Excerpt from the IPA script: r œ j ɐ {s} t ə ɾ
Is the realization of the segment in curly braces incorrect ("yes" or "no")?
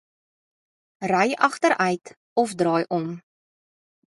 yes